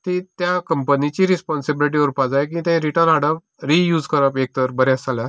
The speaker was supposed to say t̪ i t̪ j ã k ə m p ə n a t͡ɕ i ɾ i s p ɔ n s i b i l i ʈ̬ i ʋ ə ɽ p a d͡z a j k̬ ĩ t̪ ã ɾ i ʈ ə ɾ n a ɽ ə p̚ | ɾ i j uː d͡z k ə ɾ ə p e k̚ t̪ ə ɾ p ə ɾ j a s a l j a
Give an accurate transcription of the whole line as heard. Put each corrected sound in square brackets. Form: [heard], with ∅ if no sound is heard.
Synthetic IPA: t̪ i t̪ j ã k ə m p ə n [i] t͡ɕ i ɾ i s p ɔ n s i b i l i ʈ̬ i ʋ ə [ɾ] p a d͡z a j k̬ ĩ t̪ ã ɾ i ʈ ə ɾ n a ɽ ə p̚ | ɾ i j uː d͡z k ə ɾ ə p e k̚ t̪ ə ɾ [b] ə ɾ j a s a l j a